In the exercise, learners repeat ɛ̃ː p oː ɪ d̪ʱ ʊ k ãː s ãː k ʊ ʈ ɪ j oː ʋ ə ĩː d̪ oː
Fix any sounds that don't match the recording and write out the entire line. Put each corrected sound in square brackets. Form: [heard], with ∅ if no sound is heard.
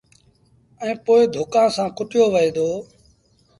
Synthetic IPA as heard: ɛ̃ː p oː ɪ d̪ʱ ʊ k ãː s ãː k ʊ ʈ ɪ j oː ʋ ə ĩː d̪ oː